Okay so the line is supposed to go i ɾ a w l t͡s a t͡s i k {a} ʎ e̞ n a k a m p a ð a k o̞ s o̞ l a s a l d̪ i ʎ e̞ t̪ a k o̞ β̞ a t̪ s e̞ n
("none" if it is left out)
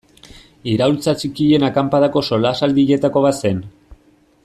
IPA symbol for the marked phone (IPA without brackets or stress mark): i